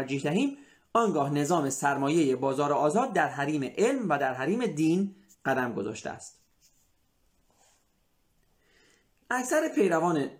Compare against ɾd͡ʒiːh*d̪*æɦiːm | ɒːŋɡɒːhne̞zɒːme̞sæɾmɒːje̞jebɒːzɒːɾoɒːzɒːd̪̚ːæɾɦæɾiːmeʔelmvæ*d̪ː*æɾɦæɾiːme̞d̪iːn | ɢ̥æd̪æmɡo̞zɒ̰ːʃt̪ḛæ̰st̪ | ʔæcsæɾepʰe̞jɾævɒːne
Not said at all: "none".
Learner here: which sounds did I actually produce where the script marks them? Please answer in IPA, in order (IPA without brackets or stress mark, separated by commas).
d̪, d̪